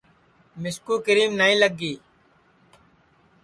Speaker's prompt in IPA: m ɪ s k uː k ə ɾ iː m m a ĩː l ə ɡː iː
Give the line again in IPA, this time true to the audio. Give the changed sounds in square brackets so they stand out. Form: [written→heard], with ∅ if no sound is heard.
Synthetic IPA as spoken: m ɪ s k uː k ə ɾ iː m [m→n] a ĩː l ə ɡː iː